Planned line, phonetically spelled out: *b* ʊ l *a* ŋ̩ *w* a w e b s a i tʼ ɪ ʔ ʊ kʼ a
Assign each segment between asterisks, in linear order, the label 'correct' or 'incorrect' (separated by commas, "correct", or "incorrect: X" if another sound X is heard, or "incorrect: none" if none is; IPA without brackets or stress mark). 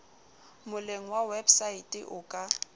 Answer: incorrect: m, incorrect: e, correct